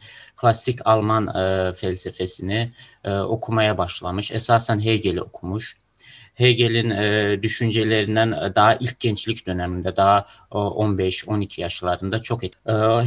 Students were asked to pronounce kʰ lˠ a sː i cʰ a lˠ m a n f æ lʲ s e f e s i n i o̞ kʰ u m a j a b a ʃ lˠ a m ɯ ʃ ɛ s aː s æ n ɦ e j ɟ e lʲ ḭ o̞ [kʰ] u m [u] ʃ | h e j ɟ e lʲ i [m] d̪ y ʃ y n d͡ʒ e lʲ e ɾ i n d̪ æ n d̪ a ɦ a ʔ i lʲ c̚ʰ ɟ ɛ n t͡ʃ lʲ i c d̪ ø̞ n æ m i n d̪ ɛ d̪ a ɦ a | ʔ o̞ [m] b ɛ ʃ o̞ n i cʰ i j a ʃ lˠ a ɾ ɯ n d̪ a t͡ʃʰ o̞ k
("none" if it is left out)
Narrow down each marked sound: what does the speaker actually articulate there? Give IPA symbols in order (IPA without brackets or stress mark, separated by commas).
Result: kʰ, u, n, n